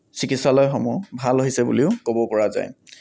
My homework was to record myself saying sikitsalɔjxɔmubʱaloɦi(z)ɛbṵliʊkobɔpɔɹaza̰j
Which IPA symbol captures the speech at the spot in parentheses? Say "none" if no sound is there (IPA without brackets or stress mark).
s